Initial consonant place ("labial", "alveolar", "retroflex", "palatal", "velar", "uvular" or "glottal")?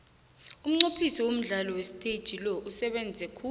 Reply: labial